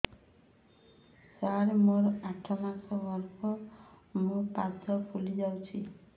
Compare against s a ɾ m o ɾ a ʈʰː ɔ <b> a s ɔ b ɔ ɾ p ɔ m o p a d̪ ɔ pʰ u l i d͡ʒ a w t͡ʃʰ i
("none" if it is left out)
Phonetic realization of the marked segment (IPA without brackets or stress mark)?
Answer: m